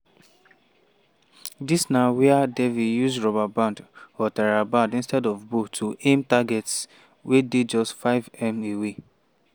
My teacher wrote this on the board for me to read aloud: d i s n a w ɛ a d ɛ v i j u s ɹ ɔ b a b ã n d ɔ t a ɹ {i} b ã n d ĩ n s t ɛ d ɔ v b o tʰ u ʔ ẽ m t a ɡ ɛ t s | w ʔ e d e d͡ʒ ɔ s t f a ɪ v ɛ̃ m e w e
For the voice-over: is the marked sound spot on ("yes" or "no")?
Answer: no